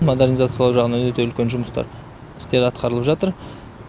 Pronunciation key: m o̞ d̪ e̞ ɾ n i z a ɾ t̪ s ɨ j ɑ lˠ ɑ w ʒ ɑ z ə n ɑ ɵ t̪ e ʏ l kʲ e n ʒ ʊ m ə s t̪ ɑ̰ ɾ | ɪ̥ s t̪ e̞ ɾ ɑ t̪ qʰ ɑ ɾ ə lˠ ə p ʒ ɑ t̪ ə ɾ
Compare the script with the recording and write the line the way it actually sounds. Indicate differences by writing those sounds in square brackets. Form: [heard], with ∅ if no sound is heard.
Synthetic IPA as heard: m o̞ d̪ e̞ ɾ n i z a [∅] t̪ s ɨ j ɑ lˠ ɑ w ʒ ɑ [ʁ] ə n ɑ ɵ t̪ e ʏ l kʲ e n ʒ ʊ m ə s t̪ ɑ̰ ɾ | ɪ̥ s t̪ e̞ ɾ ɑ t̪ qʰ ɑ ɾ ə lˠ ə p ʒ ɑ t̪ ə ɾ